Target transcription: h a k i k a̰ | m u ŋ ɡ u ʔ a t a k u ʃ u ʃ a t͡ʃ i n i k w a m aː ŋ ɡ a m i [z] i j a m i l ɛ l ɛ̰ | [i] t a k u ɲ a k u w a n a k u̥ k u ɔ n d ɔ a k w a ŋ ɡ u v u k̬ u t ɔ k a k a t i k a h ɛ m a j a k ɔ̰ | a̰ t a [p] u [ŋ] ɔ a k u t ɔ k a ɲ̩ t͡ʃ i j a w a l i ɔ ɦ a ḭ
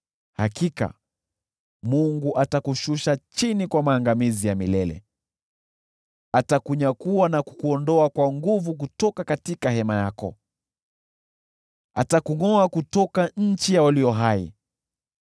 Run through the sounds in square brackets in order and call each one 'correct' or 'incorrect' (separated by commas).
correct, incorrect, incorrect, correct